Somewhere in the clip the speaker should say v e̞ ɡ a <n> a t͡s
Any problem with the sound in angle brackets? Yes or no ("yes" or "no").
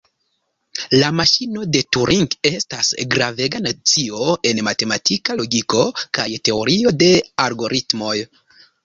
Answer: no